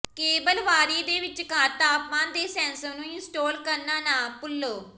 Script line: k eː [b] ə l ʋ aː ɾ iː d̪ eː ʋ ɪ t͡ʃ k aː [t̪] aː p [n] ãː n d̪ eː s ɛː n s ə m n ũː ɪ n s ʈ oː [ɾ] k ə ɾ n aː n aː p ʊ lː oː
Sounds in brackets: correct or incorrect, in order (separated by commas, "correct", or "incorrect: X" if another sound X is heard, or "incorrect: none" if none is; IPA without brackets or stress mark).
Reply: correct, correct, incorrect: m, incorrect: l